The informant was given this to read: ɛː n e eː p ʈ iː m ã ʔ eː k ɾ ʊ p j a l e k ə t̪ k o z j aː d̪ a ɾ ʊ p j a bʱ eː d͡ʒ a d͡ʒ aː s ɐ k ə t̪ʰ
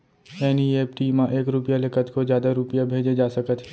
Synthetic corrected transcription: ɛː n i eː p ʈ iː m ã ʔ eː k ɾ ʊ p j a l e k ə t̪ k o z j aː d̪ a ɾ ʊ p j a bʱ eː d͡ʒ e d͡ʒ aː s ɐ k ə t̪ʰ